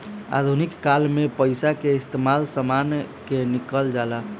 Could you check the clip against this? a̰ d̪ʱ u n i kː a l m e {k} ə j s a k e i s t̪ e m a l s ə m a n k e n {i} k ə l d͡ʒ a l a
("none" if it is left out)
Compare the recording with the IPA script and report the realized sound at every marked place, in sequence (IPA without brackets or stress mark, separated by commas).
p, i